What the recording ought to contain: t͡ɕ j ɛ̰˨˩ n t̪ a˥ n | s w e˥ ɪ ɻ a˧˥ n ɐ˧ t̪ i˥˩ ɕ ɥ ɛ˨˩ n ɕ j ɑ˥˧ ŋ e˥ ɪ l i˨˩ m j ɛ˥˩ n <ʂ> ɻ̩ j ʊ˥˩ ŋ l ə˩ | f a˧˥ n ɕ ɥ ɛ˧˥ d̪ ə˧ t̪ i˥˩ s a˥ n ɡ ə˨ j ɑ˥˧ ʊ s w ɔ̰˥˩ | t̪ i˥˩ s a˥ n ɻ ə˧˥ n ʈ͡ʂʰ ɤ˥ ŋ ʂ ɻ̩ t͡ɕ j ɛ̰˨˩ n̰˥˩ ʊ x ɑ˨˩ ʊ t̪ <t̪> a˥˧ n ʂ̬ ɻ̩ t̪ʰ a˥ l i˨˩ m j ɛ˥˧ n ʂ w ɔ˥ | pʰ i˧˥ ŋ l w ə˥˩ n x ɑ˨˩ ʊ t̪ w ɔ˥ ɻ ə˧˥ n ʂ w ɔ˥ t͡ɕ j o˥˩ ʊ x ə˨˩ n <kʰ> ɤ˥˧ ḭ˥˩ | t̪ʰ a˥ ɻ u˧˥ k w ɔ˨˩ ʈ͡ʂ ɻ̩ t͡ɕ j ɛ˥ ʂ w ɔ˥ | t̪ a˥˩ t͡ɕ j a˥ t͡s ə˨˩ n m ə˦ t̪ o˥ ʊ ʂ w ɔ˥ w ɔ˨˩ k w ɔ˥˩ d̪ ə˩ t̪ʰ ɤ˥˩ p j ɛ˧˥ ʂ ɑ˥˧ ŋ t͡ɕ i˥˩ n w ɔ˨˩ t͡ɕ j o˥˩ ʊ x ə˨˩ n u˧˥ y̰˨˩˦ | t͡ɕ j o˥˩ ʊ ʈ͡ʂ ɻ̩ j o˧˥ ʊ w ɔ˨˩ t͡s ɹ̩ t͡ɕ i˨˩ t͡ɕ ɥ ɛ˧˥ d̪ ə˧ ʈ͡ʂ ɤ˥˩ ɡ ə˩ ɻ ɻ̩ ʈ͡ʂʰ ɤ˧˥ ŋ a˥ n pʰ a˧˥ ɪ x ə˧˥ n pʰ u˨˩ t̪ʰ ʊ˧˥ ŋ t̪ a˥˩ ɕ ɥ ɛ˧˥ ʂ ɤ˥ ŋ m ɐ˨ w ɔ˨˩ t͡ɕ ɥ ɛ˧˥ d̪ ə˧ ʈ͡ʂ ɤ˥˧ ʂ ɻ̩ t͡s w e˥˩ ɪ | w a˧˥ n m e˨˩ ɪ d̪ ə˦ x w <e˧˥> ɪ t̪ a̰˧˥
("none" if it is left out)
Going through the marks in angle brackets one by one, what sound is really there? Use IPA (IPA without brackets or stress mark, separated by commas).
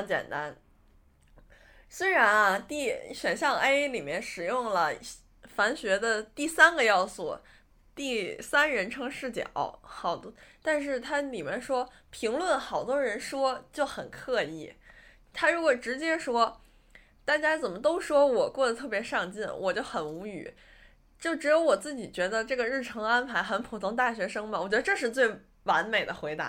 ʂ, t̪, kʰ, e˧˥